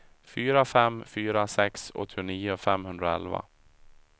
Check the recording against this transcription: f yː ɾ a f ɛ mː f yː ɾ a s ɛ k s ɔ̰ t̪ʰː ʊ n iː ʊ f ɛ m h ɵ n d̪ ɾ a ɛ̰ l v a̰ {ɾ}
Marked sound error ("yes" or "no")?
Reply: yes